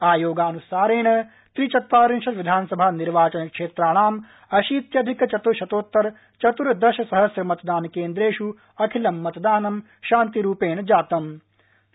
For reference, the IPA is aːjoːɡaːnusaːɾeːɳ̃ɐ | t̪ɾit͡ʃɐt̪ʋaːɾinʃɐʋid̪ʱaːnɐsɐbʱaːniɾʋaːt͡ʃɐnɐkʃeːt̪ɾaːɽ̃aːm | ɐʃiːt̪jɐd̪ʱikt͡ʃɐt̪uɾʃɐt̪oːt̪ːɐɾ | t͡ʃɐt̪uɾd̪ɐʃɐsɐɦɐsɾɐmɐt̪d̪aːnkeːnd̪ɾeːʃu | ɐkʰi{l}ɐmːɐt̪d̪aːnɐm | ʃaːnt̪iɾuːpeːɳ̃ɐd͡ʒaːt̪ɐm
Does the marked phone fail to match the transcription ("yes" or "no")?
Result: no